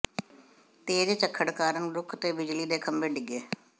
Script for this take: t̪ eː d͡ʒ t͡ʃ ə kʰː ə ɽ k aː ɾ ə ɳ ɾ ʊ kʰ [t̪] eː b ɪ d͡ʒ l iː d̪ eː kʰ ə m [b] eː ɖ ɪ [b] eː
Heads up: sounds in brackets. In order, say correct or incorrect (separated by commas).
correct, correct, incorrect